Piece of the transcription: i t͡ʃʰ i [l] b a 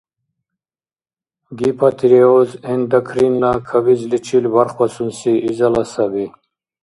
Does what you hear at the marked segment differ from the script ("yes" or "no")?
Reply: no